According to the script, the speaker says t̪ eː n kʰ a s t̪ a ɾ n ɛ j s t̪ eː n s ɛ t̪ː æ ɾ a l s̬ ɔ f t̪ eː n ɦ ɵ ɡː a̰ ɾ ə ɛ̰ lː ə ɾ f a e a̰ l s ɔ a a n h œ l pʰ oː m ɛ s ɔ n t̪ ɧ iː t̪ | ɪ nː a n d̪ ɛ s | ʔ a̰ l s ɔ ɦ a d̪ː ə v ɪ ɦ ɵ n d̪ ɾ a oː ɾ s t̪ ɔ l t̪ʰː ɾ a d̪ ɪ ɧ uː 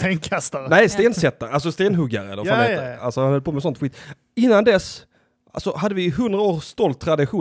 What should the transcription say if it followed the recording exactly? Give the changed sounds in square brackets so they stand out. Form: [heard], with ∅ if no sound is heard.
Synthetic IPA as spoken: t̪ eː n kʰ a s t̪ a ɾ n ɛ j s t̪ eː n s ɛ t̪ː [a] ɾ a l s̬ ɔ [s] t̪ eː n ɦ ɵ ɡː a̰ ɾ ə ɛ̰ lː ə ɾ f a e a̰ l s ɔ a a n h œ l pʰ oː m ɛ s ɔ n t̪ ɧ iː t̪ | ɪ nː a n d̪ ɛ s | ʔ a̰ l s ɔ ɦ a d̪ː ə v ɪ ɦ ɵ n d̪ ɾ a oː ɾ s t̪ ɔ l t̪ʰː ɾ a d̪ ɪ ɧ uː